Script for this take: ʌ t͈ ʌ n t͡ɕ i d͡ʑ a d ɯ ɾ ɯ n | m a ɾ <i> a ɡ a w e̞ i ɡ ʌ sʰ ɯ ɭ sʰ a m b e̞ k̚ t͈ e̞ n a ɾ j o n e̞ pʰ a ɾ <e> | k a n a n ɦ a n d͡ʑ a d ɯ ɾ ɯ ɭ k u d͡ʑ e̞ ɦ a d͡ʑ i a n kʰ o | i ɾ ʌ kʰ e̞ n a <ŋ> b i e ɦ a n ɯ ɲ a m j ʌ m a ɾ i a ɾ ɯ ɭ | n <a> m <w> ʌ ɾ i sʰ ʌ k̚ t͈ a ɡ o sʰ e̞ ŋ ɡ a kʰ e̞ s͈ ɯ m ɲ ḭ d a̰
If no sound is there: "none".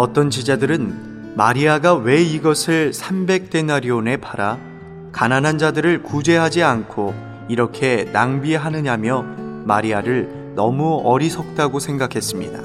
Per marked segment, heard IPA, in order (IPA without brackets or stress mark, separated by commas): i, a, ŋ, ʌ, u